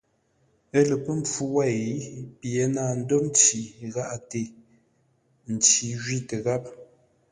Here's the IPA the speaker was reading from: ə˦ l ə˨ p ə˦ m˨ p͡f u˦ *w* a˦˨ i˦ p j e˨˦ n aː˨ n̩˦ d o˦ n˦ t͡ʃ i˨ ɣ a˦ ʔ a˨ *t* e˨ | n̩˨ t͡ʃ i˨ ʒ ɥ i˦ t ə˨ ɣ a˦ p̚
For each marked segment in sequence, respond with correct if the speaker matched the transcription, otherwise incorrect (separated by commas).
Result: correct, correct